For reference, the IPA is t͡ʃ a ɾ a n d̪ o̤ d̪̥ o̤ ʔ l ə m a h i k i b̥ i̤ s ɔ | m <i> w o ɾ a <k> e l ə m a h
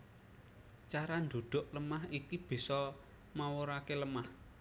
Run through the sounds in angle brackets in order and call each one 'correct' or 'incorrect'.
incorrect, correct

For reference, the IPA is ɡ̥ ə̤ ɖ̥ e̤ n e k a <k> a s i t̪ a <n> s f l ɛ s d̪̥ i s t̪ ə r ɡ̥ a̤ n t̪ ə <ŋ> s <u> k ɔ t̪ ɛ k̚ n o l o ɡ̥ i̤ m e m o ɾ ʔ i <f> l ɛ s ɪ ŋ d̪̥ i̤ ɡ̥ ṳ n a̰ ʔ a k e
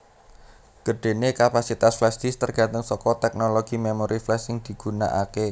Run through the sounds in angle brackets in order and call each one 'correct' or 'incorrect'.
incorrect, incorrect, correct, incorrect, correct

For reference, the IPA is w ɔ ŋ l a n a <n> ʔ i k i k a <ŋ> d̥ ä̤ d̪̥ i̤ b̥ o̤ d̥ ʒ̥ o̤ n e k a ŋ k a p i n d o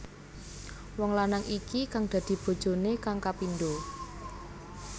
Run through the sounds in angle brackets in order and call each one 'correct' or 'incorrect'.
incorrect, correct

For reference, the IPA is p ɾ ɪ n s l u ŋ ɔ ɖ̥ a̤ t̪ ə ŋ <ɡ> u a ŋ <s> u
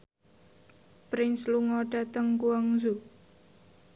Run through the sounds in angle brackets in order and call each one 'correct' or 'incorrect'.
incorrect, incorrect

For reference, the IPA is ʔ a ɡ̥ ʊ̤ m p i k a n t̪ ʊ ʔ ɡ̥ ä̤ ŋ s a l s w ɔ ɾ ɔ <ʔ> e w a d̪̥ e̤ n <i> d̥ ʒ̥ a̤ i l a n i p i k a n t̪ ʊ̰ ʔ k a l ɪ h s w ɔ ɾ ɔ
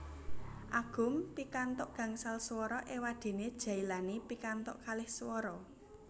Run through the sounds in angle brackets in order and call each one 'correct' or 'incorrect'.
correct, incorrect

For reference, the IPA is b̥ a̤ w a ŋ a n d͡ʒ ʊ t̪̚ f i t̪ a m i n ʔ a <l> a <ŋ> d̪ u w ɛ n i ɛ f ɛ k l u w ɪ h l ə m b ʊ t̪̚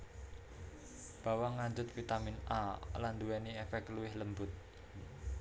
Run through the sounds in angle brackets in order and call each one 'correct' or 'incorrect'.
correct, incorrect

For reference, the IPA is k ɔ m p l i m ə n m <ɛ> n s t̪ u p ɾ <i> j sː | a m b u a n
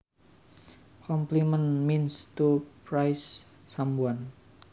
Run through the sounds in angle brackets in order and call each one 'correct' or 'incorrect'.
incorrect, incorrect

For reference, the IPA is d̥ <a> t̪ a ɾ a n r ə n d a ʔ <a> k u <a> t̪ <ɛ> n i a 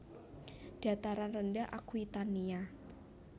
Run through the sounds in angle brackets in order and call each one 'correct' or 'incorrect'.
correct, correct, incorrect, incorrect

